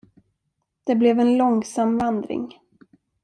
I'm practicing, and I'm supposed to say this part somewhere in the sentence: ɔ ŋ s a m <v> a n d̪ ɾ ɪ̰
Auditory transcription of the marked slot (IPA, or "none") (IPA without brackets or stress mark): v